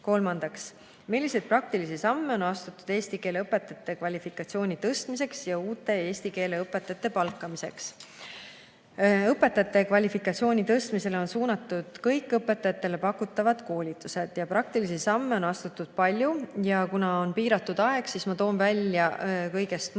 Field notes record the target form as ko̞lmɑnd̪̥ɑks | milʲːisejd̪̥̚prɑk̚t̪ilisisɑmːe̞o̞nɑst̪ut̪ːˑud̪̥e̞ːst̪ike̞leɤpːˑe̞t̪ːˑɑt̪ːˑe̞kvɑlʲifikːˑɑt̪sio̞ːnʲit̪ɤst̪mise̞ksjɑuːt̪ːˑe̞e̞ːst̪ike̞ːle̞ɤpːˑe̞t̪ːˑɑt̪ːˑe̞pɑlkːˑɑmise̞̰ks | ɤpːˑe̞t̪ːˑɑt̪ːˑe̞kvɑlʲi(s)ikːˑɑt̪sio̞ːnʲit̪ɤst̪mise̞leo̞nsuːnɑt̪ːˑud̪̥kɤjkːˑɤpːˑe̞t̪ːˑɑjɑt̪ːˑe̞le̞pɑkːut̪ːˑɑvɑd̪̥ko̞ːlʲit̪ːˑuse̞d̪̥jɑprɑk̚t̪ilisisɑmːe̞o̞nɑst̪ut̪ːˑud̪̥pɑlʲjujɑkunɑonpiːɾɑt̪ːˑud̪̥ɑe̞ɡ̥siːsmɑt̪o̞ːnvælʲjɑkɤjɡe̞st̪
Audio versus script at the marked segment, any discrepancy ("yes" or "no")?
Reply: yes